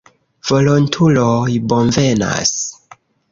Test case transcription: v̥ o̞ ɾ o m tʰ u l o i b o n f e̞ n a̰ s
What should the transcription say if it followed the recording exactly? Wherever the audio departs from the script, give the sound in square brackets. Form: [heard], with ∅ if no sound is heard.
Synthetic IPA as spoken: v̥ o̞ [l] o [n] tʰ u l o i b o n [v] e̞ n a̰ s